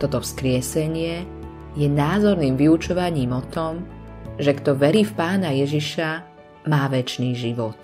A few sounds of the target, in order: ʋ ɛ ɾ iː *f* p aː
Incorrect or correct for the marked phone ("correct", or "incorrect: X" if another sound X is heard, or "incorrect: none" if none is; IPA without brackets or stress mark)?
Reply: correct